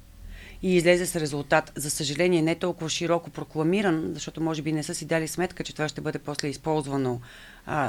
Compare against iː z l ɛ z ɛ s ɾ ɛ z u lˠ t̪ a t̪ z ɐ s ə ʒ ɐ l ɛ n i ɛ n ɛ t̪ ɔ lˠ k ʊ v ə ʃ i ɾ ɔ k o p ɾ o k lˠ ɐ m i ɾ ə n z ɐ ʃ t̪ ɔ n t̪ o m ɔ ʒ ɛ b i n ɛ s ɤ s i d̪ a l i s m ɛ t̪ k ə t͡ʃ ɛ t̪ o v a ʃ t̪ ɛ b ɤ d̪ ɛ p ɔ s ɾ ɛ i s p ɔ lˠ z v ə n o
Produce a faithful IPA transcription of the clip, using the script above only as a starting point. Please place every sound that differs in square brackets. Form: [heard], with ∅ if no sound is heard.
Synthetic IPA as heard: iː z l ɛ z ɛ s ɾ ɛ z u lˠ t̪ a t̪ z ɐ s ə ʒ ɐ l ɛ n i ɛ n ɛ t̪ ɔ lˠ k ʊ v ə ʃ i ɾ ɔ k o p ɾ o k lˠ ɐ m i ɾ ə n z ɐ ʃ t̪ ɔ [∅] t̪ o m ɔ ʒ ɛ b i n ɛ s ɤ s i d̪ a l i s m ɛ t̪ k ə t͡ʃ ɛ t̪ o v a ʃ t̪ ɛ b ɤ d̪ ɛ p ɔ s [l] ɛ i s p ɔ lˠ z v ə n o